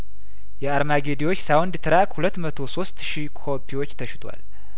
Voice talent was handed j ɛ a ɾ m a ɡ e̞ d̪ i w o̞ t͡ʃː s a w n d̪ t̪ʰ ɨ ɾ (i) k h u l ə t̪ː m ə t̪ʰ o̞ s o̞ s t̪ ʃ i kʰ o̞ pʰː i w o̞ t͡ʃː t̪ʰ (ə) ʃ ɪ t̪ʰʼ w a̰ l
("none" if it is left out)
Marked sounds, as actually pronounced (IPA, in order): a, ə

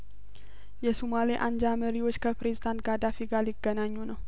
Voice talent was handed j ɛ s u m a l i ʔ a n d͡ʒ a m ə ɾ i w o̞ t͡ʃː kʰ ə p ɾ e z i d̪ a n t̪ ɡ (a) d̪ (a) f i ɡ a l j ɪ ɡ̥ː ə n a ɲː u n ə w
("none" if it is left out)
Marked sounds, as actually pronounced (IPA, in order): a, a

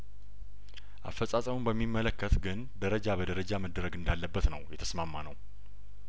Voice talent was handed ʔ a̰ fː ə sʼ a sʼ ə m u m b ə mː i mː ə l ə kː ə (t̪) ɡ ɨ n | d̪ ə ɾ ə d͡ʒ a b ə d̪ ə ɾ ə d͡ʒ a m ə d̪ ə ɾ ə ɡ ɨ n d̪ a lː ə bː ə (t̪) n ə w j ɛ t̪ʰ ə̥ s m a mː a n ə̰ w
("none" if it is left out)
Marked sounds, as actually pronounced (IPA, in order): t̪, t̪

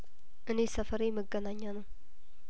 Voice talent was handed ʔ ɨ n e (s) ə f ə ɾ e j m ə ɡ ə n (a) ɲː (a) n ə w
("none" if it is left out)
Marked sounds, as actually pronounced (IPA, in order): s, a, a

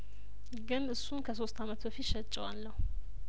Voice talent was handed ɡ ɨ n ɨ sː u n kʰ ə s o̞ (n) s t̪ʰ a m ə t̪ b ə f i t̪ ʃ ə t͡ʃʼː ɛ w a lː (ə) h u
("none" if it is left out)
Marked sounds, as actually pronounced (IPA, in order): none, ə

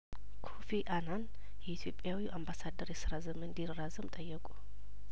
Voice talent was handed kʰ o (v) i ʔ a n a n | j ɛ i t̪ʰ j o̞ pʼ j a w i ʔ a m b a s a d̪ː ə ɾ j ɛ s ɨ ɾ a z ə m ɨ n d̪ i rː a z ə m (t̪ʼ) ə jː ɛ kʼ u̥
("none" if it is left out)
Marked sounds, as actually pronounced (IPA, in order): f, t̪ʼ

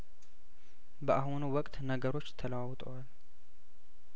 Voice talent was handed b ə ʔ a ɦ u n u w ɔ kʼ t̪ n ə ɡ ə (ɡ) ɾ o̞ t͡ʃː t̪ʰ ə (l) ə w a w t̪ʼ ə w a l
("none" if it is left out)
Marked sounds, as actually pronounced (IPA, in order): none, l

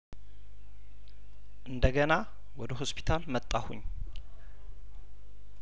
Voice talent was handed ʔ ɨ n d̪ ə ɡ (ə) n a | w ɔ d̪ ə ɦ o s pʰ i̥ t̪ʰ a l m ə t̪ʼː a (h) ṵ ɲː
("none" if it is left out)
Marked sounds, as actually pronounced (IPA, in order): ə, h

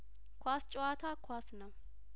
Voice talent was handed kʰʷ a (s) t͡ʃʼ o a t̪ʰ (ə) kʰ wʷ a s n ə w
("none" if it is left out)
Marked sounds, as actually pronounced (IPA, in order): s, a

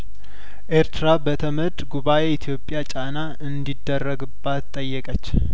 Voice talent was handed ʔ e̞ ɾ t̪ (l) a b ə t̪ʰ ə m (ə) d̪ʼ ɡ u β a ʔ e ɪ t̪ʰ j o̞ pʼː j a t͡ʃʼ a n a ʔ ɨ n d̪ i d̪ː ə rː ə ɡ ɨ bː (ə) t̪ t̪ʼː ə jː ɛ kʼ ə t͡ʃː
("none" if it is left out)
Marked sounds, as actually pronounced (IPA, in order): ɾ, ə, a

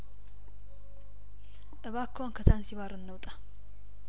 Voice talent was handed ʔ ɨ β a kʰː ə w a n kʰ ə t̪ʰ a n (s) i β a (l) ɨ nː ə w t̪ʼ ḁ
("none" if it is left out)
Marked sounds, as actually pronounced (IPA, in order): s, ɾ

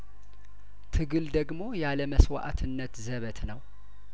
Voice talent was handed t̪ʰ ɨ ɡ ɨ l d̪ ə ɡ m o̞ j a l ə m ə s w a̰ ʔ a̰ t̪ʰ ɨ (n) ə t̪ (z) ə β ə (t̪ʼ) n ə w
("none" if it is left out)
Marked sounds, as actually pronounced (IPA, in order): nː, z, t̪

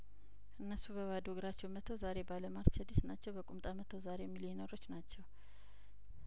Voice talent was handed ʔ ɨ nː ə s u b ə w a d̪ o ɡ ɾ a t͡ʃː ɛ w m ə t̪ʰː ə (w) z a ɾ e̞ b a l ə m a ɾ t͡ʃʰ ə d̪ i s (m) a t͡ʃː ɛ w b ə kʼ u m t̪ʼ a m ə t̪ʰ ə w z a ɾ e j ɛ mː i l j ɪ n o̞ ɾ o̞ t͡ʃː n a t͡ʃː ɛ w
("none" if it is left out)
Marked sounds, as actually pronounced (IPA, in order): w, n

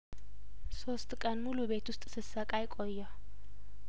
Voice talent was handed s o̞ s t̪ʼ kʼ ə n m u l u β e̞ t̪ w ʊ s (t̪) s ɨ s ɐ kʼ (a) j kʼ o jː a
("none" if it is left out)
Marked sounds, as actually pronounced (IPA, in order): t̪ʼ, a

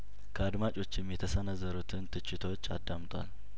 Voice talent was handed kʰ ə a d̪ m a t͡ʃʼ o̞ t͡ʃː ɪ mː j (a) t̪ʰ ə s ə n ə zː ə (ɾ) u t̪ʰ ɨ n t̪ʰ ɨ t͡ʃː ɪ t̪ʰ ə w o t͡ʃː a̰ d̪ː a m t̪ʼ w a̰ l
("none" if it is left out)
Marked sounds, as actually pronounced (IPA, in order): ɛ, ɾ

